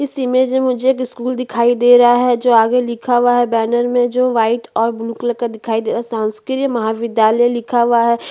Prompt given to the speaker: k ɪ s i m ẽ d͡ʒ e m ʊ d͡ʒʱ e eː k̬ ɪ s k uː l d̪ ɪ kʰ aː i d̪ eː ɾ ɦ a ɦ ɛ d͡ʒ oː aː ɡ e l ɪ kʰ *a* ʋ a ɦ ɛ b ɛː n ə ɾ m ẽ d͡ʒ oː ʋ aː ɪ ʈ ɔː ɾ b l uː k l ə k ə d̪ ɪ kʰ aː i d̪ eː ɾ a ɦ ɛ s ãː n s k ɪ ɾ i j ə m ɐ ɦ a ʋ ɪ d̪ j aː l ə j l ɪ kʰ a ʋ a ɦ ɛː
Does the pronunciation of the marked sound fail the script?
no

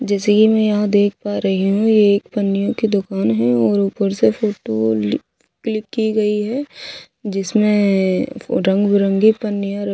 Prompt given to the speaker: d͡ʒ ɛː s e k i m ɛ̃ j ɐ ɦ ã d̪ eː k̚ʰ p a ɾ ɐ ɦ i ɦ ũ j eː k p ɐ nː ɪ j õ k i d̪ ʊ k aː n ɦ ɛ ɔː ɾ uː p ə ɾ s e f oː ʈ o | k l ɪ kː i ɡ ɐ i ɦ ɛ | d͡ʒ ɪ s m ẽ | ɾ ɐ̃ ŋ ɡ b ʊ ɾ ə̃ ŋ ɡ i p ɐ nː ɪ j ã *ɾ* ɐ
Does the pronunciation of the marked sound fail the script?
no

